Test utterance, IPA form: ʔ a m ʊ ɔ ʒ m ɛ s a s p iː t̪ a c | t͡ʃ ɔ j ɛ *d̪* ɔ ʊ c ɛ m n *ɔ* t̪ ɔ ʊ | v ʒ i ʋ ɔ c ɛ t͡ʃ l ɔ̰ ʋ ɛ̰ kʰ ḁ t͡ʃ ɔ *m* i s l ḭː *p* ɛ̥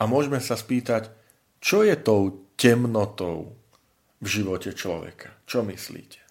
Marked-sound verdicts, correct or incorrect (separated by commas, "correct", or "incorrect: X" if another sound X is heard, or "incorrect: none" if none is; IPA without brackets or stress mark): incorrect: t̪, correct, correct, incorrect: c